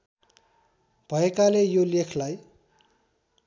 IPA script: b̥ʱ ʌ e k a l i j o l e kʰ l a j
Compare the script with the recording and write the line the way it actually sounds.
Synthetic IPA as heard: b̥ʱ ʌ e k a l e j o l e kʰ l a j